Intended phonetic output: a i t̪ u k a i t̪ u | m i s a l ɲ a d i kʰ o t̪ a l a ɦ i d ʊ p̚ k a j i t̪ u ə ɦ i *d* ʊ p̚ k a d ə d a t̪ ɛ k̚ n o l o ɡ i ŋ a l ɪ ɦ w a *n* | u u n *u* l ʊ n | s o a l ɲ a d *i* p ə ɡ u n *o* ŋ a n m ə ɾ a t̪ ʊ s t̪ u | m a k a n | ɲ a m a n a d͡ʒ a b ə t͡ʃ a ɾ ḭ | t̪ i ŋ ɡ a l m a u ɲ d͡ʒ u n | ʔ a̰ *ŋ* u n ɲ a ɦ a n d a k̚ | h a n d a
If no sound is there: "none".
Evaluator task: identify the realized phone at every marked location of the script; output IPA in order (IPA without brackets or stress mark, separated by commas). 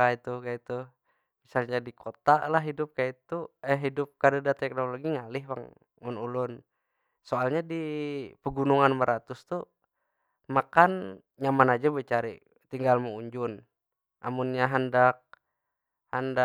d, ŋ, u, i, u, m